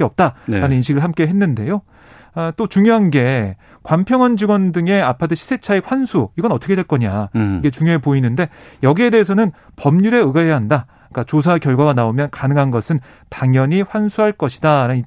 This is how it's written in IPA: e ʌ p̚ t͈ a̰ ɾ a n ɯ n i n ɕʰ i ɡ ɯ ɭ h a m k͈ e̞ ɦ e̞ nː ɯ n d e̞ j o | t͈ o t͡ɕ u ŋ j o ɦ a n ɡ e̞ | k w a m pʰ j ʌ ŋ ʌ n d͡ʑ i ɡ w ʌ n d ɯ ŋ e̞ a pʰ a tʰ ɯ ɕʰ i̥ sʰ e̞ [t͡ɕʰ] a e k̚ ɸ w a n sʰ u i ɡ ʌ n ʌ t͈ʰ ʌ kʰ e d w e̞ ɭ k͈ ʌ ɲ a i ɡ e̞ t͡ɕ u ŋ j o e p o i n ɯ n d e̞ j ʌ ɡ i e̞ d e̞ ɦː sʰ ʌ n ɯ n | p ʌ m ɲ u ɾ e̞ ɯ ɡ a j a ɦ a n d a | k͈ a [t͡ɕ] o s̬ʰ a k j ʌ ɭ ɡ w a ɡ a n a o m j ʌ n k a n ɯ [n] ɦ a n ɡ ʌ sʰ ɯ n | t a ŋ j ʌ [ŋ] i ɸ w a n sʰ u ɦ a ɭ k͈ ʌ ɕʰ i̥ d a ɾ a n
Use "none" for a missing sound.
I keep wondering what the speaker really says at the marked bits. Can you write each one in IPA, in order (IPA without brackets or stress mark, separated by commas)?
t͡ɕʰ, t͡ɕ, ŋ, ɲ